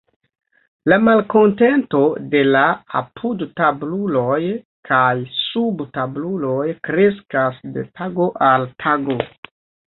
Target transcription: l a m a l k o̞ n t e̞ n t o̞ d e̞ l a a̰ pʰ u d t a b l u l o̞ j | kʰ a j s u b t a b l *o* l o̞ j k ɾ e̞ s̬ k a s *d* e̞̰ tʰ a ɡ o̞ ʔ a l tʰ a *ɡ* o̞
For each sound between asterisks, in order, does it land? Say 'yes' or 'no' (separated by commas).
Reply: no, yes, yes